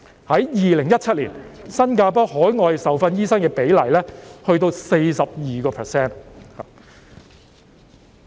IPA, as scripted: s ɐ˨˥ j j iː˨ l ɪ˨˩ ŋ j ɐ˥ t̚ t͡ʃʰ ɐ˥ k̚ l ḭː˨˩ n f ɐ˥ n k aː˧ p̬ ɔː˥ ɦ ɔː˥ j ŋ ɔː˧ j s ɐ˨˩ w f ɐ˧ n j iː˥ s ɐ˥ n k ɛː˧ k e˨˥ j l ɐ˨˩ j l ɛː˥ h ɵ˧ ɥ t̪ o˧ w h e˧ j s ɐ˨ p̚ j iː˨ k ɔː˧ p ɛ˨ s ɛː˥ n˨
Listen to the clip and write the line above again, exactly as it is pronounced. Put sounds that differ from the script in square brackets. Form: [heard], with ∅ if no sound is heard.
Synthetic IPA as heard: [h] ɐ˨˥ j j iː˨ l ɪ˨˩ ŋ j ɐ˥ t̚ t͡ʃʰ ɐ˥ [t̚] l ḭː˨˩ n [s] ɐ˥ n k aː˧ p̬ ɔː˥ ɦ [ɔː˨˥] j ŋ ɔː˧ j s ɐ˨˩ w f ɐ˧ n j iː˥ s ɐ˥ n k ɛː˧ [p] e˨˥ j l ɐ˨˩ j l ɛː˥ h ɵ˧ ɥ t̪ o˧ w [s] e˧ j s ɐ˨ p̚ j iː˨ k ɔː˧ [pʰ] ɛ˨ s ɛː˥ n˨

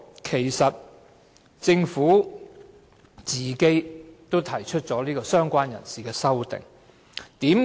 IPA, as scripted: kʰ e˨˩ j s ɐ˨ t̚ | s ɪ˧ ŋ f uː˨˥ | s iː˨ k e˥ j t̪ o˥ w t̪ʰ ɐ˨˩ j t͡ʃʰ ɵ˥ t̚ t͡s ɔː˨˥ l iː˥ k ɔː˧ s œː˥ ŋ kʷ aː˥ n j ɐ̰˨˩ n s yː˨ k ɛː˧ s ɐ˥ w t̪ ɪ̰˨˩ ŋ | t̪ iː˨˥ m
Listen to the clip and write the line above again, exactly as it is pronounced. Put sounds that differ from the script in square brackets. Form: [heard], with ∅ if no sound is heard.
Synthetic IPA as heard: kʰ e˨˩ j s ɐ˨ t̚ | [t͡s] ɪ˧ ŋ f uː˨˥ | [t͡s] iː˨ k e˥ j t̪ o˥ w t̪ʰ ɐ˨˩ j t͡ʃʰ ɵ˥ t̚ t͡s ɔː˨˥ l iː˥ k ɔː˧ s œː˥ ŋ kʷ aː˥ n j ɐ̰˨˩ n s [iː˨] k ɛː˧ s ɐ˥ w t̪ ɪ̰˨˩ ŋ | t̪ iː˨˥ m

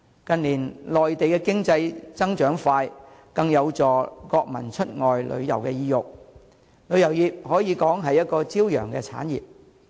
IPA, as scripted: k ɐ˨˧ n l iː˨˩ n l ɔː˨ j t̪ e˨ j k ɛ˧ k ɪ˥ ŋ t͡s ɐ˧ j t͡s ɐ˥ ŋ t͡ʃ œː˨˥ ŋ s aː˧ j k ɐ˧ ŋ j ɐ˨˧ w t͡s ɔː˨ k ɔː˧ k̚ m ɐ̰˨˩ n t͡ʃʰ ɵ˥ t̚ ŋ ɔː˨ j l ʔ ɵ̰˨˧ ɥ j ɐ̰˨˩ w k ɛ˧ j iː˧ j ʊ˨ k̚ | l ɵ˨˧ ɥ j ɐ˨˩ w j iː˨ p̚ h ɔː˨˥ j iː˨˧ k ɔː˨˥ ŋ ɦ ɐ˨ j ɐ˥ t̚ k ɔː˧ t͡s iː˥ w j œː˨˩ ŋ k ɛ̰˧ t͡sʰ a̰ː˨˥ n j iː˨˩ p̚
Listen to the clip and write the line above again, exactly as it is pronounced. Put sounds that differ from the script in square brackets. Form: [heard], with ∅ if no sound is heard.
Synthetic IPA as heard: k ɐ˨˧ n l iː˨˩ n l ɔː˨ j t̪ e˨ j k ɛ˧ k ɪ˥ ŋ t͡s ɐ˧ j t͡s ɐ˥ ŋ t͡ʃ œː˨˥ ŋ [f] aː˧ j k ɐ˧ ŋ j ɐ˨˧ w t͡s ɔː˨ k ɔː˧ k̚ m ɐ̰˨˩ n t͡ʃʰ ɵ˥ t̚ ŋ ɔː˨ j l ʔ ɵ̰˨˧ ɥ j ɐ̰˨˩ w k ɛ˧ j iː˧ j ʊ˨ k̚ | l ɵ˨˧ ɥ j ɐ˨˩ w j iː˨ p̚ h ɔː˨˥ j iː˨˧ k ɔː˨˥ ŋ ɦ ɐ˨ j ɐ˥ t̚ k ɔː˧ t͡s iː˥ w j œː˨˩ ŋ k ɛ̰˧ t͡sʰ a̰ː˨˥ n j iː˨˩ p̚

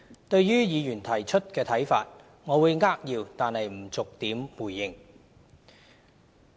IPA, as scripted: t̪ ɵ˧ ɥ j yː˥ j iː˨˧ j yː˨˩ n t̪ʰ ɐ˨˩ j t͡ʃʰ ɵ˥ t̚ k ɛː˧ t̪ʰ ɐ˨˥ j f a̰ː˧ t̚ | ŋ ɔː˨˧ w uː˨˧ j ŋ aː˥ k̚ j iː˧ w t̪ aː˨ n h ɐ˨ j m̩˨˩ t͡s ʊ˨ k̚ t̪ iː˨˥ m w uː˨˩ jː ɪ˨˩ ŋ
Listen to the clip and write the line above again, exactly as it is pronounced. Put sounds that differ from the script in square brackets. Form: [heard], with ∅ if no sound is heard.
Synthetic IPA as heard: t̪ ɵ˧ ɥ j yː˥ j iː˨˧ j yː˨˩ n t̪ʰ ɐ˨˩ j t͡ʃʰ ɵ˥ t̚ k ɛː˧ t̪ʰ ɐ˨˥ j f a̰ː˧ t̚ | ŋ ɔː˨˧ w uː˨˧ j ŋ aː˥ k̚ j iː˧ w t̪ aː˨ n h ɐ˨ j m̩˨˩ t͡s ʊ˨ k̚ t̪ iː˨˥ m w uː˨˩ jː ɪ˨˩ ŋ

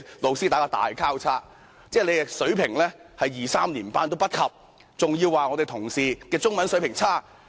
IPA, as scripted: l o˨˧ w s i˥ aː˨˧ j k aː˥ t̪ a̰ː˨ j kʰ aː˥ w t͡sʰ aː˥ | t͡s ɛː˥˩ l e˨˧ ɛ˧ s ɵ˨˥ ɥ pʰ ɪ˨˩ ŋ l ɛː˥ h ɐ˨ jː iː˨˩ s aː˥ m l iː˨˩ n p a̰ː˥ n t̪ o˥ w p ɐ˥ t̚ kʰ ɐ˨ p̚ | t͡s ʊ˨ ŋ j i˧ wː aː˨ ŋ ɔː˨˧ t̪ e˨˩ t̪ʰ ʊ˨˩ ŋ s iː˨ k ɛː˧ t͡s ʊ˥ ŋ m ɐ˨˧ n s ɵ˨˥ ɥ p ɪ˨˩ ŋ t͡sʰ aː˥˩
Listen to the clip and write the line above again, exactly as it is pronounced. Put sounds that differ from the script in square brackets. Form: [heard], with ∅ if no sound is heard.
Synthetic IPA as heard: l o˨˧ w s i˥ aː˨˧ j k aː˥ t̪ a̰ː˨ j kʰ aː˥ w t͡sʰ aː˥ | t͡s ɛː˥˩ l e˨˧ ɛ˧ s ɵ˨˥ ɥ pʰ ɪ˨˩ ŋ l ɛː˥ h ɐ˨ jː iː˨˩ s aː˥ m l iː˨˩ n p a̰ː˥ n t̪ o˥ w p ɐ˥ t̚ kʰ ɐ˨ p̚ | t͡s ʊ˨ ŋ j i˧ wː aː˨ ŋ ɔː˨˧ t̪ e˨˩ t̪ʰ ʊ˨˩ ŋ s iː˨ k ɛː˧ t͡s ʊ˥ ŋ m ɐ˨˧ n s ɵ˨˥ ɥ p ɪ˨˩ ŋ t͡sʰ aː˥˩

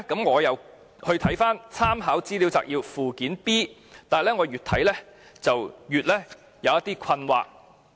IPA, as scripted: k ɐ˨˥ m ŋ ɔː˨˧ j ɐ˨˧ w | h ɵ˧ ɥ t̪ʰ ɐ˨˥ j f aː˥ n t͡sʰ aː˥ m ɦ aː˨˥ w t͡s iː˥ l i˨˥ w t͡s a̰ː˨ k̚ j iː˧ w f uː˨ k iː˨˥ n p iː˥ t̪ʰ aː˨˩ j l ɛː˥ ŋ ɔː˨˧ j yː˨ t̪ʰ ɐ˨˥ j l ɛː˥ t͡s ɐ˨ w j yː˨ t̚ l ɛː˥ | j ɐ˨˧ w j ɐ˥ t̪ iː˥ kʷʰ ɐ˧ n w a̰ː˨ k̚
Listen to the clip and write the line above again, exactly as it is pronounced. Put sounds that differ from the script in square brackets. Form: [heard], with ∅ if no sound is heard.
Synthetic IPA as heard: k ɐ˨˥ m ŋ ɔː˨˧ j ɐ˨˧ w | h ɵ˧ ɥ t̪ʰ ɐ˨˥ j f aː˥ n t͡sʰ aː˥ m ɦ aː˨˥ w t͡s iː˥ l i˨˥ w t͡s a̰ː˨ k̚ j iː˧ w f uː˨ k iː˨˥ n p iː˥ [t̪] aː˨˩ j l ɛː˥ ŋ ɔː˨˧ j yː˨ t̪ʰ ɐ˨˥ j l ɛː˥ t͡s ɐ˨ w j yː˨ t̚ l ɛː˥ | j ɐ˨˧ w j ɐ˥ t̪ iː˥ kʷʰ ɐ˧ n w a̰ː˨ k̚

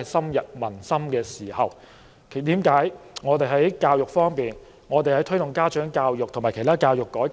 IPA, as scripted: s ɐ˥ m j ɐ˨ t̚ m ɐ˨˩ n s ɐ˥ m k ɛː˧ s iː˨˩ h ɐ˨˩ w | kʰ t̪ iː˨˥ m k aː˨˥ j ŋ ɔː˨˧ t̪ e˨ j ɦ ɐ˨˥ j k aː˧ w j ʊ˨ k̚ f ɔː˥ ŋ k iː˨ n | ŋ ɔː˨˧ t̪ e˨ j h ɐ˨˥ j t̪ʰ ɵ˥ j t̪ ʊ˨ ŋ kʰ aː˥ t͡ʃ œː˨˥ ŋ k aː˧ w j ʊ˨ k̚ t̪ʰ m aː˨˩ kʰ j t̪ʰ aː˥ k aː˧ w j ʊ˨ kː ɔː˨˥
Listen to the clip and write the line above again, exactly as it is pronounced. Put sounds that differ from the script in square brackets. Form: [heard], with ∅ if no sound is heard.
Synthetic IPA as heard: s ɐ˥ m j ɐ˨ t̚ m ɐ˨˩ n s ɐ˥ m k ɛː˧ s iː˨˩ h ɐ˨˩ w | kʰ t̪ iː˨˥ m k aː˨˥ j ŋ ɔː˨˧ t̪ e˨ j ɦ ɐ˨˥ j k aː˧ w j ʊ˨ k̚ f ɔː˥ ŋ [p] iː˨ n | ŋ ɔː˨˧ t̪ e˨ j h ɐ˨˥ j t̪ʰ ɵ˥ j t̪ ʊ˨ ŋ [k] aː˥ t͡ʃ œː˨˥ ŋ k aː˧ w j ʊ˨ k̚ t̪ʰ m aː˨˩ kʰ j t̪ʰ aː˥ k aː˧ w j ʊ˨ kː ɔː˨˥

